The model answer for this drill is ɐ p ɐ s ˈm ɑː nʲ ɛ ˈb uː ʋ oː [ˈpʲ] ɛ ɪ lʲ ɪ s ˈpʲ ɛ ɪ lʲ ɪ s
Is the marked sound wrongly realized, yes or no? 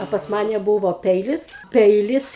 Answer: no